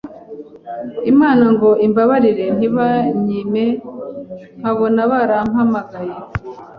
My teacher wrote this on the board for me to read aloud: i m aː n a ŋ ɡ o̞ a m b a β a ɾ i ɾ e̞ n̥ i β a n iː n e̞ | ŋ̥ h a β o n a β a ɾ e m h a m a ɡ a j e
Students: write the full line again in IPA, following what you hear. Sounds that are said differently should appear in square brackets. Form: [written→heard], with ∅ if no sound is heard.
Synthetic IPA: i m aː n a ŋ ɡ o̞ [a→i] m b a β a ɾ i ɾ e̞ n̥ i β a [n→ɲ] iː [n→m] e̞ | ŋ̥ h a β o n a β a ɾ [e→a] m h a m a ɡ a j e